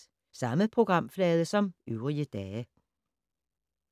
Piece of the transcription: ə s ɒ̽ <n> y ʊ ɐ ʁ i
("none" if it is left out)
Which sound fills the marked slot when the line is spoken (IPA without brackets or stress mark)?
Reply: m